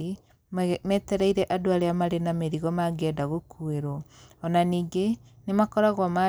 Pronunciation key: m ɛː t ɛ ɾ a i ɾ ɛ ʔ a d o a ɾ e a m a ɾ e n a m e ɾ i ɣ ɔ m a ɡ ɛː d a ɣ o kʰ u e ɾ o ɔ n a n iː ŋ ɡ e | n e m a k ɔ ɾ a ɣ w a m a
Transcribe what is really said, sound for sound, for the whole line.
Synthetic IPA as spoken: m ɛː t ɛ ɾ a i ɾ ɛ ʔ a d o a ɾ e a m a ɾ e n a m e ɾ i ɣ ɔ m a ɡ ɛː d a ɣ o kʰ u e ɾ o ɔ n a n iː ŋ ɡ e | n e m a k ɔ ɾ a ɣ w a m a